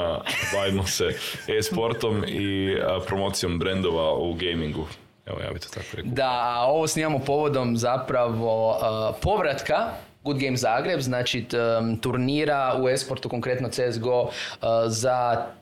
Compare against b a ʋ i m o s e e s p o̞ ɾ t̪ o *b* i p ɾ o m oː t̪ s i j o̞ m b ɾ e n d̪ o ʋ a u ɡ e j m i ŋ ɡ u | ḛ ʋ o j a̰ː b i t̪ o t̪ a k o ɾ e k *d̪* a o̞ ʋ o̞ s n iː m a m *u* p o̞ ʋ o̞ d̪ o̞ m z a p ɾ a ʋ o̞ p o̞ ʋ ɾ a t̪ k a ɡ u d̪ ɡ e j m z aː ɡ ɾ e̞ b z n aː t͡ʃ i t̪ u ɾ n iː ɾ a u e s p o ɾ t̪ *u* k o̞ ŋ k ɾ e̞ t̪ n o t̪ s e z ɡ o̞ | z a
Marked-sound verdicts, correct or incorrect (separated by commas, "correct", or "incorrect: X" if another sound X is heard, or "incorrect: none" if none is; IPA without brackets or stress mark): incorrect: m, correct, incorrect: o, correct